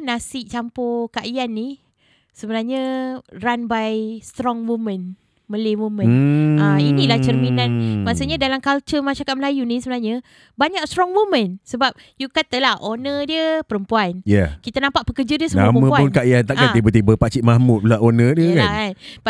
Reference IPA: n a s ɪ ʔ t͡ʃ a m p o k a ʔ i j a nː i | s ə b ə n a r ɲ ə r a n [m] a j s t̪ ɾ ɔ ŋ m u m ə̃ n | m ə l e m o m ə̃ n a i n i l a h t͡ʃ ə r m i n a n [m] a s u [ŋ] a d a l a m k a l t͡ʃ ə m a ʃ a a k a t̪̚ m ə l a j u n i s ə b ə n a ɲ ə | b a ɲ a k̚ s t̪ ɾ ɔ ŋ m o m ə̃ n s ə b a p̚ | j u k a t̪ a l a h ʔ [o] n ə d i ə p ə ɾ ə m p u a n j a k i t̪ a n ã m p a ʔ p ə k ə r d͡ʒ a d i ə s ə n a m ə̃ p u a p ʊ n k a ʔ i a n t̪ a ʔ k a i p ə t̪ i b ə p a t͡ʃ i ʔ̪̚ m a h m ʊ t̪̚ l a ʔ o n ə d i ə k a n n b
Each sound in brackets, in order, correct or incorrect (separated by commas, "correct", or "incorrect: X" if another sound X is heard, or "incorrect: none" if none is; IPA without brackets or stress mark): incorrect: b, correct, incorrect: ɲ, correct